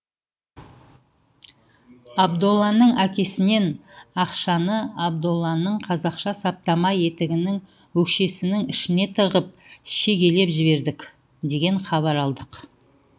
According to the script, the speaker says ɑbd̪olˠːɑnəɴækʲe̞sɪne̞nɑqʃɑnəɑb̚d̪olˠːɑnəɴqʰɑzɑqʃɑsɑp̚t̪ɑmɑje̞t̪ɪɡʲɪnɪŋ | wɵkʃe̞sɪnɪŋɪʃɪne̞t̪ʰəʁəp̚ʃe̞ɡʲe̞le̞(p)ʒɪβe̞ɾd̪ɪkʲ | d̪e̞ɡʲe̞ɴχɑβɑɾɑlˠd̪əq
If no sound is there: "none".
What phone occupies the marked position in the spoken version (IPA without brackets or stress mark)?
p